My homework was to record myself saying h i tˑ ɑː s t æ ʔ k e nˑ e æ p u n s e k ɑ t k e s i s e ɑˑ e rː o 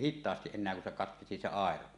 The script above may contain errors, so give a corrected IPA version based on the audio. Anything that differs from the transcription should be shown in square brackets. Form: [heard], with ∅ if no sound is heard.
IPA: h i tˑ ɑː s t [i] ʔ [ʔ] e nˑ e æ [k] u n s e k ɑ t k e s i s e ɑˑ e [r] o